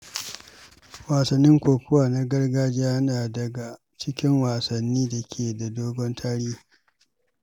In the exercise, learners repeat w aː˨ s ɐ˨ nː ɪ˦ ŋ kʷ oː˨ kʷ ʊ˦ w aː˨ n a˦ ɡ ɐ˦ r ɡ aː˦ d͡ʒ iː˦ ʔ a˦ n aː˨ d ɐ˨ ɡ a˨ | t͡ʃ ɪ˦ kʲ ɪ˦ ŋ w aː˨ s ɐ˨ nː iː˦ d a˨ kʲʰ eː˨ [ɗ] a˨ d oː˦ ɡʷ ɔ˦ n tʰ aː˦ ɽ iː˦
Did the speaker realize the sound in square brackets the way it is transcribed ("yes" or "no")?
no